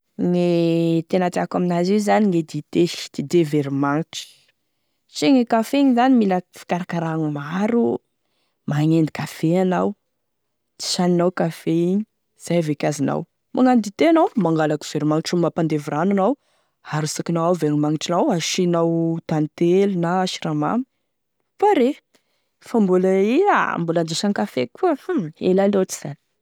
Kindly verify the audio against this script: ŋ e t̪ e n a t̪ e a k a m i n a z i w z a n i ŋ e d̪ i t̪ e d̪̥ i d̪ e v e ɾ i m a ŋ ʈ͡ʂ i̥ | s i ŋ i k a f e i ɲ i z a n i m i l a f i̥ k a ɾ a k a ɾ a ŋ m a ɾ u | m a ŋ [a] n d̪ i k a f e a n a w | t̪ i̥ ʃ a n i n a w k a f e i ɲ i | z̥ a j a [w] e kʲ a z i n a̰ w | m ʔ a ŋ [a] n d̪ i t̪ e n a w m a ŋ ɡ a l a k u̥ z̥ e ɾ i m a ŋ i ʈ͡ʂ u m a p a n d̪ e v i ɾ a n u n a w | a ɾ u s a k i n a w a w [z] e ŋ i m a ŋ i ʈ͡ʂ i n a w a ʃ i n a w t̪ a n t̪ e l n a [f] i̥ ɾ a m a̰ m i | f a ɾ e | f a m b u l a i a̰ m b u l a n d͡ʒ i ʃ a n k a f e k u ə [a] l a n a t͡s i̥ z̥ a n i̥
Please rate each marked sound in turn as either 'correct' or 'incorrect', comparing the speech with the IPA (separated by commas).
incorrect, incorrect, correct, incorrect, incorrect, incorrect